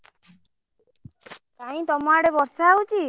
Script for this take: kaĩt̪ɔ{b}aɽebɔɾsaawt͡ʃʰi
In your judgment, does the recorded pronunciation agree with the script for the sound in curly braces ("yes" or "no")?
no